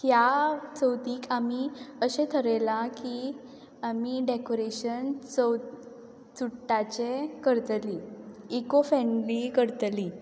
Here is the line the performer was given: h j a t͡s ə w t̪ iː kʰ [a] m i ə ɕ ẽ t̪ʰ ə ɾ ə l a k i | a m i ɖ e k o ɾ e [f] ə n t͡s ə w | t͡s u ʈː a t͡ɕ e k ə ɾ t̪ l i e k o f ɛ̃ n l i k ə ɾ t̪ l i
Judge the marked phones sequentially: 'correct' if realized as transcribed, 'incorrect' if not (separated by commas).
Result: correct, incorrect